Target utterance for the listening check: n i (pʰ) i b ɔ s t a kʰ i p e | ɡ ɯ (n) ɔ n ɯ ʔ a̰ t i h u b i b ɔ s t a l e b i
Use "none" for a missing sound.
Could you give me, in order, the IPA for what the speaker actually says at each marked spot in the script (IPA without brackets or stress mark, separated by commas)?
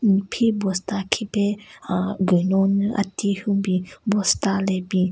pʰ, n